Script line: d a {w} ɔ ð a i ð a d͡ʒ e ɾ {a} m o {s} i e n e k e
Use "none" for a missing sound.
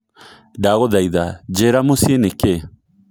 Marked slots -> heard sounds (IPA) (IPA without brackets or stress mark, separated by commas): ɣ, a, s